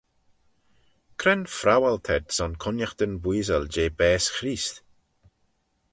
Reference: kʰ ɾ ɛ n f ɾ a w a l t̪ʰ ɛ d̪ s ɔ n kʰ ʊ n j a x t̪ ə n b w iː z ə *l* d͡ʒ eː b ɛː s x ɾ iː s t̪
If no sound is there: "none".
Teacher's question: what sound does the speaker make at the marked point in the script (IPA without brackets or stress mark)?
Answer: l